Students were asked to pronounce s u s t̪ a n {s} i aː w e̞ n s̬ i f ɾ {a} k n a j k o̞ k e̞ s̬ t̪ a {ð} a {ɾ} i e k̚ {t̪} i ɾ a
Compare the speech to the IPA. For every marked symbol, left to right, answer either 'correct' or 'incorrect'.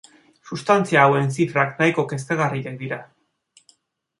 incorrect: t͡s, correct, incorrect: ɣ, incorrect: r, incorrect: d̪

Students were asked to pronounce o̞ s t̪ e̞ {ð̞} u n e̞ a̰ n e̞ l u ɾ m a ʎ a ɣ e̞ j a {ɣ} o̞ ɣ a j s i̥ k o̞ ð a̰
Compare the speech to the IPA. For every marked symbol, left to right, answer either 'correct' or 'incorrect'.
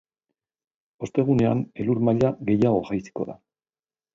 incorrect: ɣ̞, correct

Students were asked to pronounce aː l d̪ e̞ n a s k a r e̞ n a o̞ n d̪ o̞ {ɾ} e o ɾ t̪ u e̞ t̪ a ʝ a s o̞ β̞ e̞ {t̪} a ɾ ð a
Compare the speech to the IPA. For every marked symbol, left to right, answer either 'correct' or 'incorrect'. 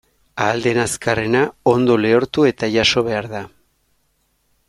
incorrect: l, incorrect: none

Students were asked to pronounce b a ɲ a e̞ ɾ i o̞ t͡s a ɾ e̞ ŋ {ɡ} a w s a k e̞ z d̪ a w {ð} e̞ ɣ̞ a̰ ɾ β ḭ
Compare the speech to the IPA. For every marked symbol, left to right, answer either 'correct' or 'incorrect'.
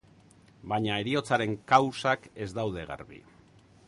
incorrect: k, correct

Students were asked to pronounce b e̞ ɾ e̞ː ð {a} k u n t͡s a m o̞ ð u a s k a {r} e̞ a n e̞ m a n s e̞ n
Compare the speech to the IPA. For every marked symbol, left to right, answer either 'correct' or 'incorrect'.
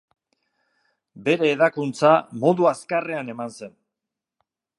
correct, correct

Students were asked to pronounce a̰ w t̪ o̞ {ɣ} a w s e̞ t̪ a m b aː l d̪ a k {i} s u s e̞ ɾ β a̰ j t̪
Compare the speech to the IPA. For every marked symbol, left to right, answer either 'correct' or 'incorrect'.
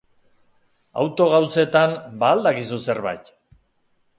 correct, correct

